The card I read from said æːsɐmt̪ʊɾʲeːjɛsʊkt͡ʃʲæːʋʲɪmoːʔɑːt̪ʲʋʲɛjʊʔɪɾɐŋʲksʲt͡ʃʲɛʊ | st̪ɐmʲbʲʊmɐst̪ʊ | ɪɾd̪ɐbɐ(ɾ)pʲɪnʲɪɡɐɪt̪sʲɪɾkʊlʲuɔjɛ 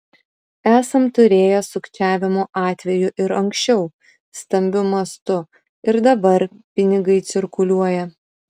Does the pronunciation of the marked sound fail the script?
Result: no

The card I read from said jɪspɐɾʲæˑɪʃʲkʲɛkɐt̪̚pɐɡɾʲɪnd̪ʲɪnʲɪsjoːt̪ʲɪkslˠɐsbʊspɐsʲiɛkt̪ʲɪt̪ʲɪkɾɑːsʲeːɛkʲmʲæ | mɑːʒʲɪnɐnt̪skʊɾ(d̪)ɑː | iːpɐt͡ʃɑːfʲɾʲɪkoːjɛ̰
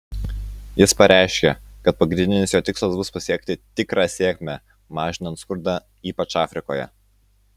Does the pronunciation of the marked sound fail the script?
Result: no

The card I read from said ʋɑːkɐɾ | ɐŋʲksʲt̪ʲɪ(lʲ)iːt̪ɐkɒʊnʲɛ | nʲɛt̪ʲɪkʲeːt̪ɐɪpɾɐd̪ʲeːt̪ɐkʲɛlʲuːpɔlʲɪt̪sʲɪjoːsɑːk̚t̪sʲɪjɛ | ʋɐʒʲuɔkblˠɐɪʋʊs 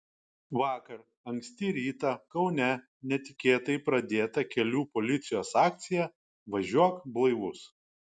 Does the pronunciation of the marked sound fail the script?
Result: yes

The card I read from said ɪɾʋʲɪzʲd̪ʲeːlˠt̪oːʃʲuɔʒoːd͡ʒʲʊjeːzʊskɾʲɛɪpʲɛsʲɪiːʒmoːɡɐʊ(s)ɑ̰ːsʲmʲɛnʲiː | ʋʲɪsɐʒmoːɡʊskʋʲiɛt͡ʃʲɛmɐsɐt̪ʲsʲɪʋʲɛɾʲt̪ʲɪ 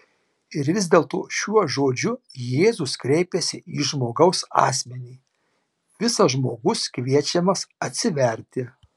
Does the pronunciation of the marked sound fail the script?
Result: no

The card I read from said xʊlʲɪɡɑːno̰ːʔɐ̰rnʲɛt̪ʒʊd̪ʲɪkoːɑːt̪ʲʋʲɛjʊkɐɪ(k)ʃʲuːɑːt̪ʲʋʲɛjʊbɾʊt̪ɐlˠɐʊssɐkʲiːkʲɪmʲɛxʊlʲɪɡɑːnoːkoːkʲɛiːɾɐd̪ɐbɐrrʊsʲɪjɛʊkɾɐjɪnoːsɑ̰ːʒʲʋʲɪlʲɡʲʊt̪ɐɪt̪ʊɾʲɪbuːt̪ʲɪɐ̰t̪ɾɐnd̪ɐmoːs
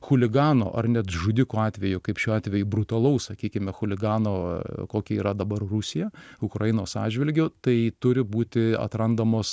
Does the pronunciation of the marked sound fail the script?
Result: yes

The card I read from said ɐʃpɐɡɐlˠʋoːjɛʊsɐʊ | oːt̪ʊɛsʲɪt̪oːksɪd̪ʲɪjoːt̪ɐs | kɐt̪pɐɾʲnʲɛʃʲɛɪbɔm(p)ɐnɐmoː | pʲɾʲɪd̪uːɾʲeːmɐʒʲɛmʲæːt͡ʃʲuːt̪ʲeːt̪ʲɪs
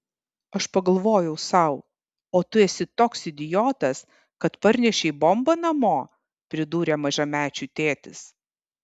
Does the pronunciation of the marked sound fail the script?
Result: yes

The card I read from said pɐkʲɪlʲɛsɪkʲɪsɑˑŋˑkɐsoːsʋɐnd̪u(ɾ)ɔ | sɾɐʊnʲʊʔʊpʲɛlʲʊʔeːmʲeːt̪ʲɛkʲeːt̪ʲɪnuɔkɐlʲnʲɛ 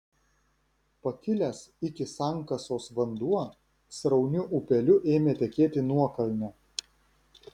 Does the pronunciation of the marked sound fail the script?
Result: yes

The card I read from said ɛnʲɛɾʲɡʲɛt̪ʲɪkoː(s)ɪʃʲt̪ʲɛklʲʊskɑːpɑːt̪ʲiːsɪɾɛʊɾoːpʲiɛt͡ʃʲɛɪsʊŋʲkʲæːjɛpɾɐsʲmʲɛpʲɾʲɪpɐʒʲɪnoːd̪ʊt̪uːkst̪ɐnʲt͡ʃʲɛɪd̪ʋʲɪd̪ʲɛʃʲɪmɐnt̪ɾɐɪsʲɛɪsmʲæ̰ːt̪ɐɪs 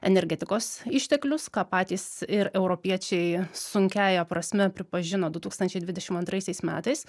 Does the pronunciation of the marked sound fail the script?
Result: no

